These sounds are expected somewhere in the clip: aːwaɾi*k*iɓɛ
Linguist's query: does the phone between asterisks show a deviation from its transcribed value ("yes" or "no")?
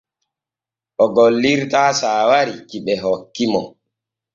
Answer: no